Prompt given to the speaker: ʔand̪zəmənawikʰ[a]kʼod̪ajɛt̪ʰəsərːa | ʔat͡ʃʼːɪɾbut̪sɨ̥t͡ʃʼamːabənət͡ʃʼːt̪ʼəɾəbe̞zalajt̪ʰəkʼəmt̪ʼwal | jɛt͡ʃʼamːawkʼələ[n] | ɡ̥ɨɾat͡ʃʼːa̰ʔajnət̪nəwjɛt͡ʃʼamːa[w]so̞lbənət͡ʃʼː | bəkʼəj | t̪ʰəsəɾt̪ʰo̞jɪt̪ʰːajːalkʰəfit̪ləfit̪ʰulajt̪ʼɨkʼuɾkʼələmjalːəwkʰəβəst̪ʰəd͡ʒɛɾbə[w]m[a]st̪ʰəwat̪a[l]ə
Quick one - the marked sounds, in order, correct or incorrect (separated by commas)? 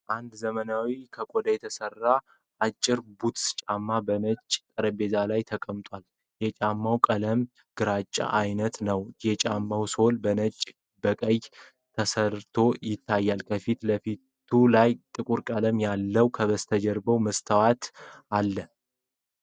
incorrect, incorrect, correct, correct, incorrect, incorrect